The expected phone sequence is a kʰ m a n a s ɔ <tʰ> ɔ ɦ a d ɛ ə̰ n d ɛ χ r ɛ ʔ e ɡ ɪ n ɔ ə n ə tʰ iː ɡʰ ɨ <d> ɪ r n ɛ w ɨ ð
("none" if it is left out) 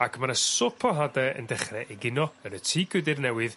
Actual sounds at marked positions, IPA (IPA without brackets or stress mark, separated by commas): pʰ, d